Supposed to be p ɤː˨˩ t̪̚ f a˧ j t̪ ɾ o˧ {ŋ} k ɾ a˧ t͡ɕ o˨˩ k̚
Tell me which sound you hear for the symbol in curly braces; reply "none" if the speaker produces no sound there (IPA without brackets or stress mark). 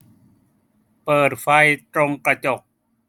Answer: ŋ